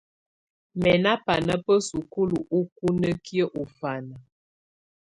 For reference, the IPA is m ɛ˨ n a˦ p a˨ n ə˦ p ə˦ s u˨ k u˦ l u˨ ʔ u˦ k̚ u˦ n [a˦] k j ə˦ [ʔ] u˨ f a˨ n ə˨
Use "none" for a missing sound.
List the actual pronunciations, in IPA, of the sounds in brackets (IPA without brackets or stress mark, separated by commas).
ə˦, ʔ